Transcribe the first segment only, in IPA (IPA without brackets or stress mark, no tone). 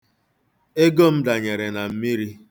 e